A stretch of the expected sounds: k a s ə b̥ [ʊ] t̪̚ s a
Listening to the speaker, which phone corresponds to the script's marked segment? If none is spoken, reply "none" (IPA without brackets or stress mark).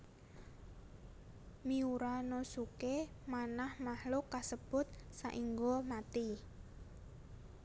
ʊ